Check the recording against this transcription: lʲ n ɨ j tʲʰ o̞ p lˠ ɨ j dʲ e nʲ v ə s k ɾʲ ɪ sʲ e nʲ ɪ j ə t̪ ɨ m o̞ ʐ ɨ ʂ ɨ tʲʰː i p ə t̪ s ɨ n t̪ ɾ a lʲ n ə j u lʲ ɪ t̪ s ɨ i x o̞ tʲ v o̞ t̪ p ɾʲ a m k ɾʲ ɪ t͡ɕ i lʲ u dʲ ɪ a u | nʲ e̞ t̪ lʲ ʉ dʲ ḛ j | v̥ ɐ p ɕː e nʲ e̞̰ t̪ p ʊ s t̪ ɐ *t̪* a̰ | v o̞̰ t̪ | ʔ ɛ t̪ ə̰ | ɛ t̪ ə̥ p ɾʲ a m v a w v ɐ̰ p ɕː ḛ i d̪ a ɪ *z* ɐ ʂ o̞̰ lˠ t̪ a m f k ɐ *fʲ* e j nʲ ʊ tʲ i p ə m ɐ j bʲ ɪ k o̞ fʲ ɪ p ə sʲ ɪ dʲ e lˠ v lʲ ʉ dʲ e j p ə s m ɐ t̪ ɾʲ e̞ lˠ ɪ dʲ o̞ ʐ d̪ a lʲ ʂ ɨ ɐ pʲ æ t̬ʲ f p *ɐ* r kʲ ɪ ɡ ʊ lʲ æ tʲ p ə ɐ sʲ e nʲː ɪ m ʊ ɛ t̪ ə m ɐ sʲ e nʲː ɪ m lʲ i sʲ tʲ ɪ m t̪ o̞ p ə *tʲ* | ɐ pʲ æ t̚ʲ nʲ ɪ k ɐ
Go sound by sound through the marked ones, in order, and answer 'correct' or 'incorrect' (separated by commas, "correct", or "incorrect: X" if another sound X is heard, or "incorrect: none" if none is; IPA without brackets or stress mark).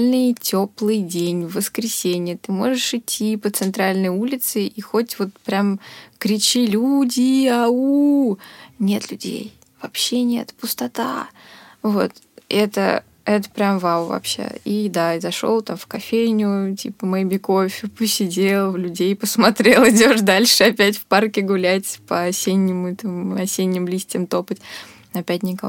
correct, correct, correct, incorrect: a, correct